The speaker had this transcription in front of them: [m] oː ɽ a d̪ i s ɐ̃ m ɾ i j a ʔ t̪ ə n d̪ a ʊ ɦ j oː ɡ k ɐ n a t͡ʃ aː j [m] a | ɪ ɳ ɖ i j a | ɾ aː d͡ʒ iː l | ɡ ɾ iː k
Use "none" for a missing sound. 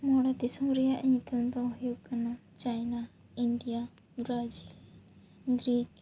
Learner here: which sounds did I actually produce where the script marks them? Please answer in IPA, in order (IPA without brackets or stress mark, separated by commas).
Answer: m, n